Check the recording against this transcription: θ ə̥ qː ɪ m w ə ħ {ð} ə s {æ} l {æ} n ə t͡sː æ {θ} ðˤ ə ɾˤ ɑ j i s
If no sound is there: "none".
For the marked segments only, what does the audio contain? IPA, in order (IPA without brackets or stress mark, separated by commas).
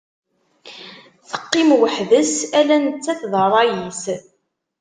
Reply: ð, æ, æ, θ